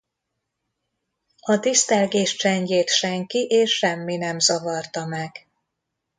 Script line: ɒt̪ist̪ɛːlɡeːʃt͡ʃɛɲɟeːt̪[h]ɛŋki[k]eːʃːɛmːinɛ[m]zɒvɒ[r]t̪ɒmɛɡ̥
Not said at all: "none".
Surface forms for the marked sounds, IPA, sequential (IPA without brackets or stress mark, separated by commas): ʃ, ʔ, m, r